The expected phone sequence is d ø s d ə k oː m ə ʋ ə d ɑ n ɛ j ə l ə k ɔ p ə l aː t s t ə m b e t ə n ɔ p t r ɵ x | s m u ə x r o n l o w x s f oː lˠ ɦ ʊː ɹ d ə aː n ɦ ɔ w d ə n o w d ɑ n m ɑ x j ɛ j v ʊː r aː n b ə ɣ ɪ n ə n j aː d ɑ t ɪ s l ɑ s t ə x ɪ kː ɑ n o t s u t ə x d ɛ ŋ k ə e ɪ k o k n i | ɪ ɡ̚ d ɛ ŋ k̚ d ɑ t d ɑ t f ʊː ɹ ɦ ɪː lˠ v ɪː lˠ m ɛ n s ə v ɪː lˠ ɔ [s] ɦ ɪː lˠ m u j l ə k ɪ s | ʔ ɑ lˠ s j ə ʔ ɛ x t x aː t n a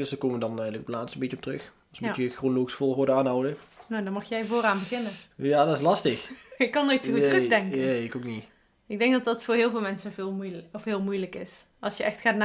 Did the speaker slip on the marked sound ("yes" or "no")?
yes